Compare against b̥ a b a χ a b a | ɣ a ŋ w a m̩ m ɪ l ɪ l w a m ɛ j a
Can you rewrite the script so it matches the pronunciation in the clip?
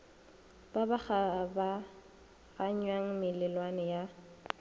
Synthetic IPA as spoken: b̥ a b a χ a b a | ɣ a ɲ w a ŋ̩ m ɪ l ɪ l w a n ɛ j a